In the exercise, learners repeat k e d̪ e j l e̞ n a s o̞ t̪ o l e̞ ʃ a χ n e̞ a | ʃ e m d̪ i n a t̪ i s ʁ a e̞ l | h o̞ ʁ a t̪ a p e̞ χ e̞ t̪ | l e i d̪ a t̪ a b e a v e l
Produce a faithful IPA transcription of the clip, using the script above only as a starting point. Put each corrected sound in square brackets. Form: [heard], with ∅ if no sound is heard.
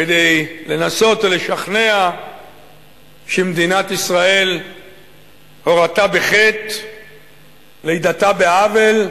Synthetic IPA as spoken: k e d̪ e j l e̞ n a s o̞ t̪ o l e̞ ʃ a χ n e̞ a | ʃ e m d̪ i n a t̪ i s ʁ a e̞ l | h o̞ ʁ a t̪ a [b] e̞ χ e̞ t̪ | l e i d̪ a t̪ a b e a v e l